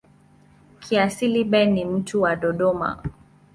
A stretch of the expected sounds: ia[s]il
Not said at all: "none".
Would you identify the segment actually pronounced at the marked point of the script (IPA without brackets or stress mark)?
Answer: s